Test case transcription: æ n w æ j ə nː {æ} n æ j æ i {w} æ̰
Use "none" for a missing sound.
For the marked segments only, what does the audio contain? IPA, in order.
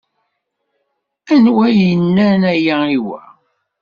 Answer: æ, w

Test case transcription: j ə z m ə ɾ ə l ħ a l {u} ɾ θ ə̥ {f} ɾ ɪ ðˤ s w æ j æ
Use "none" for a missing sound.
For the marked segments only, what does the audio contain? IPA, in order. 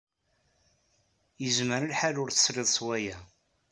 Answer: ʊ, s

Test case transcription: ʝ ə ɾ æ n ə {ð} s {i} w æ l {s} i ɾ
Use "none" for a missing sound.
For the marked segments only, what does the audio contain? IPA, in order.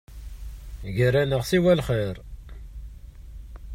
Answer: ʁ, i, χ

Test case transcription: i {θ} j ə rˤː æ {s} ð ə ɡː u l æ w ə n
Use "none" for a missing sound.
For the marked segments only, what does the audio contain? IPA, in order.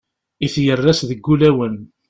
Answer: θ, s

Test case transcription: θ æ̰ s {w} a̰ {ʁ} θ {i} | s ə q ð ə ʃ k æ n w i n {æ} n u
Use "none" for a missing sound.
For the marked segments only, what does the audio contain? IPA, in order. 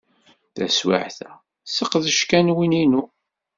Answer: w, ʕ, æ, i

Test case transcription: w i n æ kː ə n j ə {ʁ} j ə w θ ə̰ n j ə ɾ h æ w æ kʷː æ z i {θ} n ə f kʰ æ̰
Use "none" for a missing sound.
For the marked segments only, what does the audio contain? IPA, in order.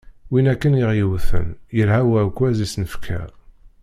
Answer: ʁ, s

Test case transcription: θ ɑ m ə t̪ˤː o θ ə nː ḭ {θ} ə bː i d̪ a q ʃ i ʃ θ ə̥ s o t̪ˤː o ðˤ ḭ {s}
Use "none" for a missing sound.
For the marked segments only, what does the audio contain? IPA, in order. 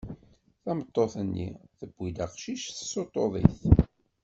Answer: θ, θ

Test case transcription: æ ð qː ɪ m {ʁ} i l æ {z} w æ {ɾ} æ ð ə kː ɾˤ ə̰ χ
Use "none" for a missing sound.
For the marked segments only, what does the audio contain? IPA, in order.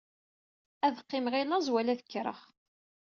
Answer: ʁ, z, l

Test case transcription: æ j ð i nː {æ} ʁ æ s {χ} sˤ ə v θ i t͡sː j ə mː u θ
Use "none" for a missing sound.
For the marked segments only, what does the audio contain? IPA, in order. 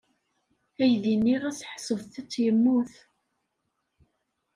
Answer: i, ħ

